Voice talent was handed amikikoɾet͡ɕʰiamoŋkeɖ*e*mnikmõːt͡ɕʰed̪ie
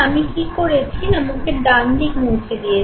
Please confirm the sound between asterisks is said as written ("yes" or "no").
no